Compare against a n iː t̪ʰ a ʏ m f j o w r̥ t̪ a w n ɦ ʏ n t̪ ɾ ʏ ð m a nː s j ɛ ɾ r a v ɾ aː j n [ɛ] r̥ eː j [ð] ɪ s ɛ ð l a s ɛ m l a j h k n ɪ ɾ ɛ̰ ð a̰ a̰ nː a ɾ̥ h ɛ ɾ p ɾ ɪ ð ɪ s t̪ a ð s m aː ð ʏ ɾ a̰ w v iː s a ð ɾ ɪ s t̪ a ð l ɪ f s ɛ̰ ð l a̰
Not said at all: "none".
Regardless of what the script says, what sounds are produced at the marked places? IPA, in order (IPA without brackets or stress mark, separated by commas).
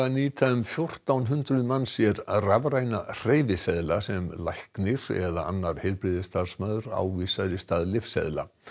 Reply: a, v